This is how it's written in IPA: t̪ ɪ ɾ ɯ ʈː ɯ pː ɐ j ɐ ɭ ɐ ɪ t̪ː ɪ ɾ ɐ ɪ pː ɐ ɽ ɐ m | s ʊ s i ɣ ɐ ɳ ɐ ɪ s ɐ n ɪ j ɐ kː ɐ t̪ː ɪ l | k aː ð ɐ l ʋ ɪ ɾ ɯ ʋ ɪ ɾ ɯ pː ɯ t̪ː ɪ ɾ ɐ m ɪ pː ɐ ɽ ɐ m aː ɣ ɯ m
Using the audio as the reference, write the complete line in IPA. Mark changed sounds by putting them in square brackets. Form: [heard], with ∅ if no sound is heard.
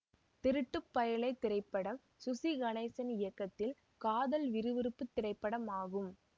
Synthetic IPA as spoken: t̪ ɪ ɾ ɯ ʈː ɯ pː ɐ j ɐ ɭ ɐ ɪ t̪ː ɪ ɾ ɐ ɪ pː ɐ ɽ ɐ m | s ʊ s i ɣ ɐ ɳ ɐ ɪ s ɐ n ɪ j ɐ kː ɐ t̪ː ɪ l | k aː ð ɐ l ʋ ɪ ɾ ɯ ʋ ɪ ɾ ɯ pː ɯ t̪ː ɪ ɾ ɐ [∅] ɪ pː ɐ ɽ ɐ m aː ɣ ɯ m